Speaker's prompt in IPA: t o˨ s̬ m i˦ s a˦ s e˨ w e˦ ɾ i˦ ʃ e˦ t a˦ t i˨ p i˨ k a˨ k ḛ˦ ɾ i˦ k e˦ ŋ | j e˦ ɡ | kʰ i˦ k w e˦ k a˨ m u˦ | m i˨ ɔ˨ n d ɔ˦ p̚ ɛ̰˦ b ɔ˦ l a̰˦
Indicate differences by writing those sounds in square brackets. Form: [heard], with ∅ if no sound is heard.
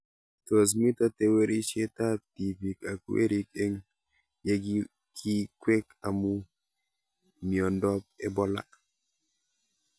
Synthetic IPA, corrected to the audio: t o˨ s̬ m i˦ [t] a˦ [t] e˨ w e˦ ɾ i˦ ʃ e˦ t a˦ t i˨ p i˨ k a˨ k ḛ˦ ɾ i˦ k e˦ ŋ | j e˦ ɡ | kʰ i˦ k w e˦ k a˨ m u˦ | m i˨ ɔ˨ n d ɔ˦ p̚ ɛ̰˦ b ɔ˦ l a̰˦